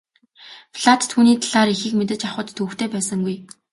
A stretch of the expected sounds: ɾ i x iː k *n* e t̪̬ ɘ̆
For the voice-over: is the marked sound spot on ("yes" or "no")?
no